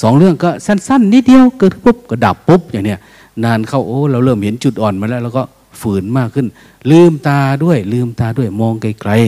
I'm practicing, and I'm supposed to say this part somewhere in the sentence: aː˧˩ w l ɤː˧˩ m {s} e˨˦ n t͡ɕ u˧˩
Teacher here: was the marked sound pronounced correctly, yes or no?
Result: no